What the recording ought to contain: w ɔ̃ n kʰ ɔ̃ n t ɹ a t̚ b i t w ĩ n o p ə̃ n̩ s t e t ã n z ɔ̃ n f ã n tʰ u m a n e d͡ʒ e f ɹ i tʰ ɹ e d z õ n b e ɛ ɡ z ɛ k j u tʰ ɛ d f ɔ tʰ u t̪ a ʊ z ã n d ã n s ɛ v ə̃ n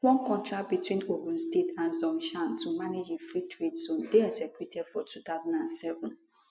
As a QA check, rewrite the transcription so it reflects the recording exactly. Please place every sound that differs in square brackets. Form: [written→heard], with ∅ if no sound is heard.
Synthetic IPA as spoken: w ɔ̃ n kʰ ɔ̃ n t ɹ a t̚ b i t w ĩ n o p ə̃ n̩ s t e t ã n z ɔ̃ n [f→ʃ] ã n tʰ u m a n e d͡ʒ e f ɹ i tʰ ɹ e d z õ n [b→d] e ɛ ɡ z ɛ k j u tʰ ɛ d f ɔ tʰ u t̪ a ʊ z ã n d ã n s ɛ v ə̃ n